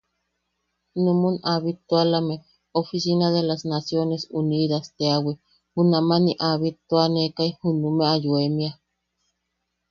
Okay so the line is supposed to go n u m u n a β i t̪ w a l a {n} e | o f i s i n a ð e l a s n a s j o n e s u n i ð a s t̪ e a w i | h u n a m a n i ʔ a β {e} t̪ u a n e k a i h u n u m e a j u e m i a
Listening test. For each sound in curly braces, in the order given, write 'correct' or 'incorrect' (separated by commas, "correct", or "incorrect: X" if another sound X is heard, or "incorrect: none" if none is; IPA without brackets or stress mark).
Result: incorrect: m, incorrect: i